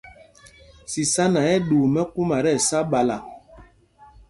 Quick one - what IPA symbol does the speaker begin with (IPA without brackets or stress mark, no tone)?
s